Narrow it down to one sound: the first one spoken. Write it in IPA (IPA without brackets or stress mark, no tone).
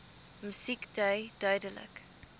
m